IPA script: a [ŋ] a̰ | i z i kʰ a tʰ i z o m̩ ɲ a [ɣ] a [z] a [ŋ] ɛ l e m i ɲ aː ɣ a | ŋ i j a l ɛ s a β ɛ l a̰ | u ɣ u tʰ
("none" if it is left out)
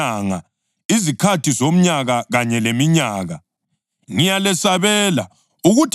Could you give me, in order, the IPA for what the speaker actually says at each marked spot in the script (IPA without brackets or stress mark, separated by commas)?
ŋ, ɣ, ɣ, ɲ